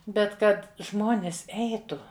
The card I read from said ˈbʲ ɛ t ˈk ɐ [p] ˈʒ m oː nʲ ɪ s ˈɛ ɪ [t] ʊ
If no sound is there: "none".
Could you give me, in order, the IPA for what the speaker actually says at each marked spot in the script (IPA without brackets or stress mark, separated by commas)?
t, t